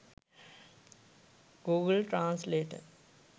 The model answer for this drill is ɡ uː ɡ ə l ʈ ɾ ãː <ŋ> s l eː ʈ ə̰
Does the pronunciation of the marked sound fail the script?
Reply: yes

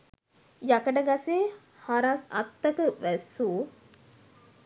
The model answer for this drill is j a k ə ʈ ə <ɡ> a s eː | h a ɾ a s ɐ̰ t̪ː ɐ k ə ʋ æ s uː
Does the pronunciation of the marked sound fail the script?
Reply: no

